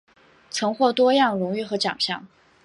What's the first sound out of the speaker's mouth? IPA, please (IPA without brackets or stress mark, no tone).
t͡sʰ